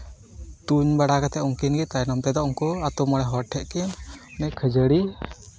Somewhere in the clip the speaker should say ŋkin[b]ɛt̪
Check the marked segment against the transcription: incorrect: ɡ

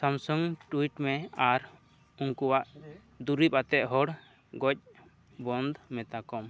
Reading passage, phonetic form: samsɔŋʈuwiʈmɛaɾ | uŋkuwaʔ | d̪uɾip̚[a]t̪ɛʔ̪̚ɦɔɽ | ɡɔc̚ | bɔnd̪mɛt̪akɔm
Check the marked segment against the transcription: correct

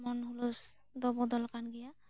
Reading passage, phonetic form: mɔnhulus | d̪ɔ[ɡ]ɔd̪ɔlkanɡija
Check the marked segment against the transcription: incorrect: b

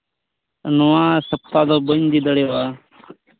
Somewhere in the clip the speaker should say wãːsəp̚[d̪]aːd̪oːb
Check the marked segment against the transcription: incorrect: t̪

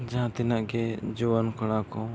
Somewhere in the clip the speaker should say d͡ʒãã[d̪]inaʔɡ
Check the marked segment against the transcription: incorrect: t̪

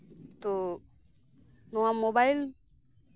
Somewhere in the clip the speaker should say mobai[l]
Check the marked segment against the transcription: correct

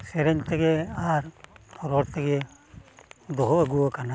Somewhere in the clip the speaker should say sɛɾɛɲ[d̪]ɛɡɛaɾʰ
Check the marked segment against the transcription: incorrect: t̪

